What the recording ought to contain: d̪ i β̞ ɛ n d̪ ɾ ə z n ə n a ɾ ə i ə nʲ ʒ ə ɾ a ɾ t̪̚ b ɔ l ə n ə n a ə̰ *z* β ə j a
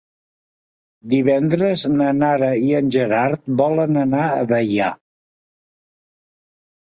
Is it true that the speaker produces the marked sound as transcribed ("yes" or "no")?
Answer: no